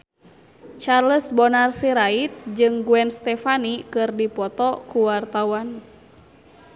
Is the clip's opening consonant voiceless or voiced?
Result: voiceless